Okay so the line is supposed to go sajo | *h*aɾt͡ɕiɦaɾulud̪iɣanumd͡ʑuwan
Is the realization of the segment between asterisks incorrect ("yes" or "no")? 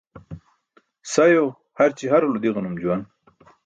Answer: no